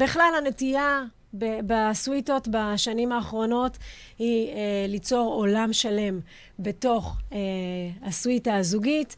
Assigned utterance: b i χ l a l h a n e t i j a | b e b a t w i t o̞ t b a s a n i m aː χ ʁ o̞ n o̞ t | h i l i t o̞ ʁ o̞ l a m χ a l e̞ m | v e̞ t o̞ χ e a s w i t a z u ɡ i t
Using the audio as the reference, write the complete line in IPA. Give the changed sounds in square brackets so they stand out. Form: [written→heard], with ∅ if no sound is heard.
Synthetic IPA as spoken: b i χ l a l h a n e t i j a | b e b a [t→s] w i t o̞ t b a [s→ʃ] a n i m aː χ ʁ o̞ n o̞ t | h i l i [t→t͡s] o̞ ʁ o̞ l a m [χ→ʃ] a l e̞ m | [v→b] e̞ t o̞ χ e a s w i t a z u ɡ i t